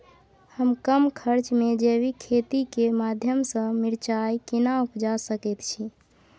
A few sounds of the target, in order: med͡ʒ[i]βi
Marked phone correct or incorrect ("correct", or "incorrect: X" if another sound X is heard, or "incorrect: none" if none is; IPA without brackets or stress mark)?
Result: incorrect: e